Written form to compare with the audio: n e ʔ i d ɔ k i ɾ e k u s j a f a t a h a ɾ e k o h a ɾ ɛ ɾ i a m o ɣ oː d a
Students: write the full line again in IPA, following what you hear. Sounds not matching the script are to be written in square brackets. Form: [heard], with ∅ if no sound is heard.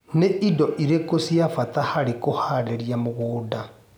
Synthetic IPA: n e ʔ i d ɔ [ʔ] i ɾ e k [o] s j a f a t a h a ɾ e k o h a ɾ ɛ ɾ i a m o ɣ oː d a